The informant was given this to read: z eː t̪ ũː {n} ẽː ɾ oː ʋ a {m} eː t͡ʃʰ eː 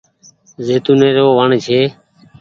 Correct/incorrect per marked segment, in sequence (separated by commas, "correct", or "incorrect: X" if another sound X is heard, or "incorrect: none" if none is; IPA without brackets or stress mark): correct, incorrect: ɳ